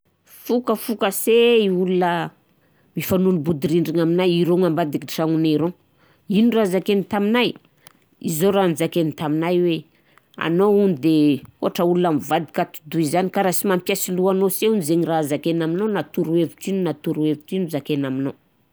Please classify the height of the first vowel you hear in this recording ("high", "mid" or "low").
high